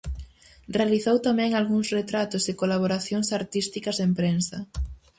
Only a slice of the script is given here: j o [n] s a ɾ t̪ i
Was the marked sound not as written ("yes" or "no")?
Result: yes